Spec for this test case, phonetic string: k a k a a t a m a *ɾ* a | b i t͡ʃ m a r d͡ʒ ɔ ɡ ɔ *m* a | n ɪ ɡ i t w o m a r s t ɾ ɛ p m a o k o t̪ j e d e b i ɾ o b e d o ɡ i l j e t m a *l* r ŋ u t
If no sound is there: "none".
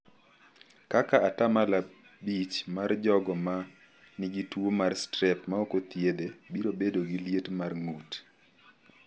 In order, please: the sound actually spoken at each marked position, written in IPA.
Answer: l, m, none

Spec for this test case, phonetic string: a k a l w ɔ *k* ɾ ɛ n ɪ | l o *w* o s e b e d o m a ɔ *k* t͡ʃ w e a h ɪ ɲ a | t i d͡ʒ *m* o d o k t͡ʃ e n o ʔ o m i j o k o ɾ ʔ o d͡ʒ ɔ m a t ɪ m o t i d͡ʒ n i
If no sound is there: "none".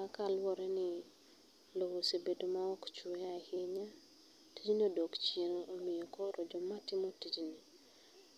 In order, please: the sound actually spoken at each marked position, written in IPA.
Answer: none, w, k, n

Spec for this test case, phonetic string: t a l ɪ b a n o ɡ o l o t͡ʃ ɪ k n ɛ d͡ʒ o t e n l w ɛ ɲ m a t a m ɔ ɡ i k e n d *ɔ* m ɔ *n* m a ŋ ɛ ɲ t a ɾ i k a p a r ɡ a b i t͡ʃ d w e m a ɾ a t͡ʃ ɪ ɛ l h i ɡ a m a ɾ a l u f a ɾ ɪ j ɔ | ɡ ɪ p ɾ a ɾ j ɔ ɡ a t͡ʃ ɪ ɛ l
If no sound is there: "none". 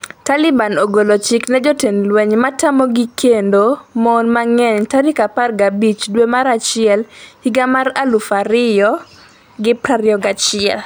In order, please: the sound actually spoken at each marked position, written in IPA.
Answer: o, n

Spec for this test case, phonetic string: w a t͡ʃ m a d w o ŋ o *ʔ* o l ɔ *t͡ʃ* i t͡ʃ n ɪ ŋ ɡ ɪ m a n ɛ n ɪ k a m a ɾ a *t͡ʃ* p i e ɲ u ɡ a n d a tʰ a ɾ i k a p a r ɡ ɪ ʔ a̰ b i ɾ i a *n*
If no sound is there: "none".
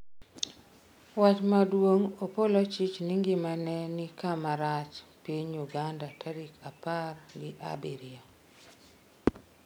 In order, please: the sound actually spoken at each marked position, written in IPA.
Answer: p, t͡ʃ, t͡ʃ, none

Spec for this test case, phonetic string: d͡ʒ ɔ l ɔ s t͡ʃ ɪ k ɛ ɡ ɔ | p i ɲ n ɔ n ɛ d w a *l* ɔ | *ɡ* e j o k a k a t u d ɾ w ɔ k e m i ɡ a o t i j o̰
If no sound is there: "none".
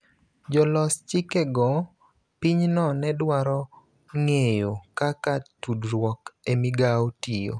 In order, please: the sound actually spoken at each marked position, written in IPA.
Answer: ɾ, ŋ

